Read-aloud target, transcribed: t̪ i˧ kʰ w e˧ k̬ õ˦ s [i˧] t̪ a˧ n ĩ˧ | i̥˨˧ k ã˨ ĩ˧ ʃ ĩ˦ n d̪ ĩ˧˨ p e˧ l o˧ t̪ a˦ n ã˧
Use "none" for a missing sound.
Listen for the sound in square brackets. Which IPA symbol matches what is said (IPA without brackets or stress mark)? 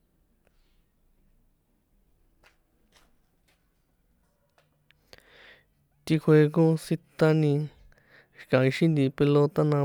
i˧